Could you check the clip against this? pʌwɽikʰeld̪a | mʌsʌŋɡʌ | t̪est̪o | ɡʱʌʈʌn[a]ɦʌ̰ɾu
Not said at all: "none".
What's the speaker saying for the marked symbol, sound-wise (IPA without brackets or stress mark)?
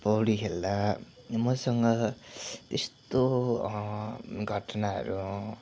a